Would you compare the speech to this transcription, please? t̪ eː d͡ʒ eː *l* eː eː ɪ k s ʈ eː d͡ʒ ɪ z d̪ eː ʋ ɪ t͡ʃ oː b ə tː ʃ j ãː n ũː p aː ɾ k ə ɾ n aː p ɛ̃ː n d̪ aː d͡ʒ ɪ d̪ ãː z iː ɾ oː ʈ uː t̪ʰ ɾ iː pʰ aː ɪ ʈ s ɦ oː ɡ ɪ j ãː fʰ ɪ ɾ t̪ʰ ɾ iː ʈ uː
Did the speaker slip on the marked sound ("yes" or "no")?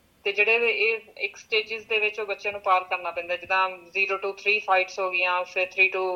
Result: yes